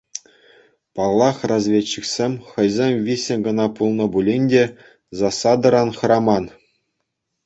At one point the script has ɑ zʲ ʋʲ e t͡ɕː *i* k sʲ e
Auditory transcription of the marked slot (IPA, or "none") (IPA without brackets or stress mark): i